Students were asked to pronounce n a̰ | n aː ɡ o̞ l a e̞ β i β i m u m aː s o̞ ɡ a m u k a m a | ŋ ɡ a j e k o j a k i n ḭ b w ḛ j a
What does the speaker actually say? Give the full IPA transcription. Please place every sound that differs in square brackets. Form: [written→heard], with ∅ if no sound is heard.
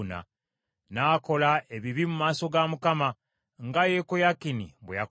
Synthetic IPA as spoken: n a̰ | n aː [ɡ→k] o̞ l a e̞ β i β i m u m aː s o̞ ɡ a m u k a m a | ŋ ɡ a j e k o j a k i n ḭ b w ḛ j a

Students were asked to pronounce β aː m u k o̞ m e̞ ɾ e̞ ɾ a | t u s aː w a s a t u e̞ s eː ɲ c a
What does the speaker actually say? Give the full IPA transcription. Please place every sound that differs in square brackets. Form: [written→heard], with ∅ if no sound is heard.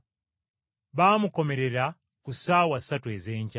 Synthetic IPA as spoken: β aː m u k o̞ m e̞ ɾ e̞ ɾ a | [t→k] u s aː w a s a t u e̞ [s→z] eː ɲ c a

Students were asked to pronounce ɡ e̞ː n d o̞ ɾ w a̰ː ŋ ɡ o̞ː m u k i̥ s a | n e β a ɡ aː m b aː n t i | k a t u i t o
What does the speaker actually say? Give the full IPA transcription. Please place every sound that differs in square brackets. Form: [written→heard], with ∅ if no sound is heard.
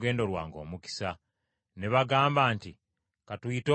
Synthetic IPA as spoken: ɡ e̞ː n d o̞ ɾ w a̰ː ŋ ɡ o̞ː m u k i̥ s a | n e β a ɡ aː m b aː n t i | k a t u i t o

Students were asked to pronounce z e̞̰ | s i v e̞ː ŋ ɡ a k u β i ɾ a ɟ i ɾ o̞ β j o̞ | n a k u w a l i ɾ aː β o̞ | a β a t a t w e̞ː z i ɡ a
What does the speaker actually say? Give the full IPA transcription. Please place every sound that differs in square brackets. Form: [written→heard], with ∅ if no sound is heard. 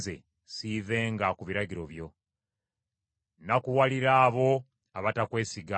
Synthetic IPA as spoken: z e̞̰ | s i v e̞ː ŋ ɡ a k u β i ɾ a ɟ i ɾ o̞ β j o̞ | n a k u w a l i ɾ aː β o̞ | a β a t a [t→k] w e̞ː [z→s] i ɡ a

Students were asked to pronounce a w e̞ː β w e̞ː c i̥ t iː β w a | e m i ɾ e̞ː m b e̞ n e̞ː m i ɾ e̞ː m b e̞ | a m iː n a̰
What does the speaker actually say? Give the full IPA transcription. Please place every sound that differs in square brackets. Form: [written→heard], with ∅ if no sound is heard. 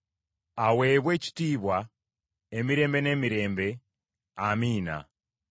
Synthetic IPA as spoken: a w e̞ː β w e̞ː c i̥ t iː β w a | e m i ɾ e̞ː m b e̞ n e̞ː m i ɾ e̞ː m b e̞ | a m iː n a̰

